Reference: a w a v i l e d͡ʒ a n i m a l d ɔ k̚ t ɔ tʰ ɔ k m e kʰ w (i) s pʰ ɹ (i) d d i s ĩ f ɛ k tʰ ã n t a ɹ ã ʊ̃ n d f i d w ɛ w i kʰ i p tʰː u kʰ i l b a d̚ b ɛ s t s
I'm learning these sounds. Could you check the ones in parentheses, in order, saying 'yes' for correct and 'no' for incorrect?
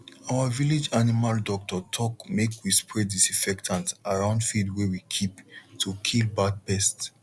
yes, no

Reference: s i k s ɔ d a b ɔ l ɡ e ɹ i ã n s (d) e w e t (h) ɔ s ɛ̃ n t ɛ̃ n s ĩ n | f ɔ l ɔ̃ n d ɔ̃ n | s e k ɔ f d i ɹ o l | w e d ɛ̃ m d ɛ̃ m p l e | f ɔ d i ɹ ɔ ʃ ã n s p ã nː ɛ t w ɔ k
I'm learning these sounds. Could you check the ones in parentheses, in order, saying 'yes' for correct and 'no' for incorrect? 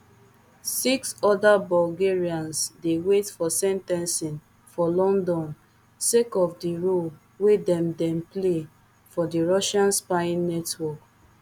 yes, no

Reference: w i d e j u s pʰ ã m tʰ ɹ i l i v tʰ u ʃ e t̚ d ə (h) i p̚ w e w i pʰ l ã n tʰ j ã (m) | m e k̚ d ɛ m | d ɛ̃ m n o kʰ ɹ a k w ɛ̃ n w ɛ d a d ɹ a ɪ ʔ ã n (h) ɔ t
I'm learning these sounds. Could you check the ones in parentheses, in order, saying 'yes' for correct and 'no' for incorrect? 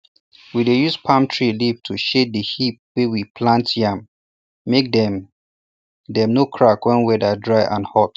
yes, yes, yes

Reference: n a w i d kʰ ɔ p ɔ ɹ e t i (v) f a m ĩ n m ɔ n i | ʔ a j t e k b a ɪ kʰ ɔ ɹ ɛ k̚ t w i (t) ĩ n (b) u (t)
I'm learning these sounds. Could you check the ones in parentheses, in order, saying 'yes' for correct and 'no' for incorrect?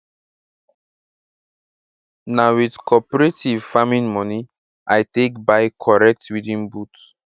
yes, no, yes, yes

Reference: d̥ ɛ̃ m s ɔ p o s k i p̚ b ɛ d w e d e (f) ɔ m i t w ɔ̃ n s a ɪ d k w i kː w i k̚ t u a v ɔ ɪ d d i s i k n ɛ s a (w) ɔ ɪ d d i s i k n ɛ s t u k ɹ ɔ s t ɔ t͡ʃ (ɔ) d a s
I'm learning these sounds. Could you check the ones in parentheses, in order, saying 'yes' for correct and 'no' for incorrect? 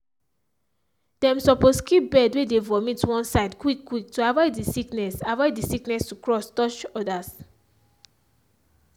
no, no, yes

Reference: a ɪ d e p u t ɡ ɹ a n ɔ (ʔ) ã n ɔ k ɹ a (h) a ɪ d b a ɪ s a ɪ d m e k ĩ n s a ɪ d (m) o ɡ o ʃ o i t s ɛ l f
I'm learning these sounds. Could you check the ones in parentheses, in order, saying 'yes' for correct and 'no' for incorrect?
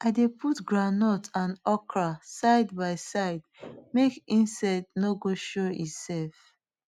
no, no, no

